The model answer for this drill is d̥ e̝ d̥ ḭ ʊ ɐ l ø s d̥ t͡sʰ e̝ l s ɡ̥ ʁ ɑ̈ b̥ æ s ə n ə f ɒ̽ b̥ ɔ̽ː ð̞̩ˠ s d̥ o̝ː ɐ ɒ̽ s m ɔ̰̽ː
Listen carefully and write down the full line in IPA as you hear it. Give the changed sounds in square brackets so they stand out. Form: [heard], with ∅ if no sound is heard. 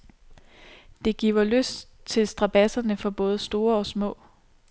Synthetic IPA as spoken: d̥ e̝ [ɡ̥] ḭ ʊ ɐ l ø s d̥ t͡sʰ e̝ l s [d̥] ʁ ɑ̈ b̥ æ s [ɐ] n ə f ɒ̽ b̥ ɔ̽ː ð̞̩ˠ s d̥ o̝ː ɐ ɒ̽ s m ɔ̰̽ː